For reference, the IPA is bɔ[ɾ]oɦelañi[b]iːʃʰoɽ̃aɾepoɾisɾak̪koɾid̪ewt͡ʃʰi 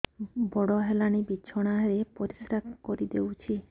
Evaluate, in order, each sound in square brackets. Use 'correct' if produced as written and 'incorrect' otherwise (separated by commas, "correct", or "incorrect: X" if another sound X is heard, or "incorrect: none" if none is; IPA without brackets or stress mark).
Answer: incorrect: ɽ, correct